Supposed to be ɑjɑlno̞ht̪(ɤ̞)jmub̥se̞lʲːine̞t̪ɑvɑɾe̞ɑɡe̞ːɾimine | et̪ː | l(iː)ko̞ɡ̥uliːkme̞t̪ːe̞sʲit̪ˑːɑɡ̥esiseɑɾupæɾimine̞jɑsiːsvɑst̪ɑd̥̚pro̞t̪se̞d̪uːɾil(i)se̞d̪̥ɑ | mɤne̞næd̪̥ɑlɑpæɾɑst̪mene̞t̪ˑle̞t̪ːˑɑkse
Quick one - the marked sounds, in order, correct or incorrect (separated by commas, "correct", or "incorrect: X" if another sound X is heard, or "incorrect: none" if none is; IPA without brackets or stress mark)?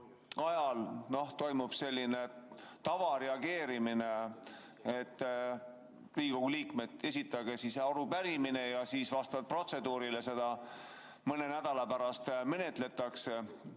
incorrect: o̞, correct, incorrect: e